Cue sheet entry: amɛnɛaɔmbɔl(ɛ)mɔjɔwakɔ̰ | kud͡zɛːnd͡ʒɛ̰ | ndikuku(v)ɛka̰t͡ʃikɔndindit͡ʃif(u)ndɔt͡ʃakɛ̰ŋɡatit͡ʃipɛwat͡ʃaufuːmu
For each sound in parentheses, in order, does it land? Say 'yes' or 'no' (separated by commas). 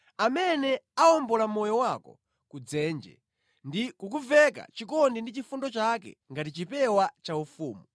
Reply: no, yes, yes